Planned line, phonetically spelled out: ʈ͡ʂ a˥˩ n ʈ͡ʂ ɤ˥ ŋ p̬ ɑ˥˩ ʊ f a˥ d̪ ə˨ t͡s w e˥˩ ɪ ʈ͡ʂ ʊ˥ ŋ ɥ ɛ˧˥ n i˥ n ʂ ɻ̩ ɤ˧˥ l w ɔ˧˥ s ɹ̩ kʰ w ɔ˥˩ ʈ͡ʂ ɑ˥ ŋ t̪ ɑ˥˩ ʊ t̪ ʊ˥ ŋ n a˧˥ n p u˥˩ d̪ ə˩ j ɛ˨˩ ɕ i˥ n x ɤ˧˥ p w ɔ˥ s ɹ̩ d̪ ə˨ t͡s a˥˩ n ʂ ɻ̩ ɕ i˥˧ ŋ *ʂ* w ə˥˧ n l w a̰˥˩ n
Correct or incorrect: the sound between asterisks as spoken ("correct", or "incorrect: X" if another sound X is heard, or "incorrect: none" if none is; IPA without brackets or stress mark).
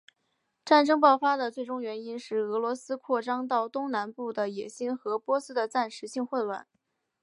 incorrect: x